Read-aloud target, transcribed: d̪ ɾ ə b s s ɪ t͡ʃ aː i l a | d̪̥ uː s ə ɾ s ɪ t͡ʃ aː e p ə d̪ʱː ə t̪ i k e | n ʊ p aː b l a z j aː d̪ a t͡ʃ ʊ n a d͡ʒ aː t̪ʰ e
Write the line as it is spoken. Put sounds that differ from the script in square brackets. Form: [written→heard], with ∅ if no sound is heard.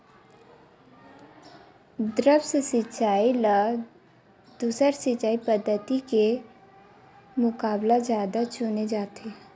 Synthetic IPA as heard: d̪ ɾ ə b s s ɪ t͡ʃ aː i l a | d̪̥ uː s ə ɾ s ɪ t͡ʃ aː [e→i] p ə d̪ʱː ə t̪ i k e | [n→m] ʊ [p→k] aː b l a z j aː d̪ a t͡ʃ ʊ n [a→e] d͡ʒ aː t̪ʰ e